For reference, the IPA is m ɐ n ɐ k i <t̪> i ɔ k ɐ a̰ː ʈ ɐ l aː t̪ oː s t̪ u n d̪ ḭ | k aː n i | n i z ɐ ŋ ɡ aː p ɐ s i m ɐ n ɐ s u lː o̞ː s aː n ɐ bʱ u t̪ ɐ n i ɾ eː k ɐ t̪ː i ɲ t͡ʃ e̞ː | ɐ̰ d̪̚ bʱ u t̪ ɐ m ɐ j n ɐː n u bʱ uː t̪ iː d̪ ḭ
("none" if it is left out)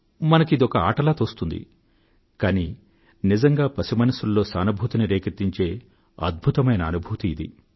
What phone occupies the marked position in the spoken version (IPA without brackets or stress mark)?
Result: d̪